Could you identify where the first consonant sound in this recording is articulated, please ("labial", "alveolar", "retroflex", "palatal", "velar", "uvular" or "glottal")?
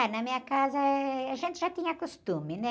alveolar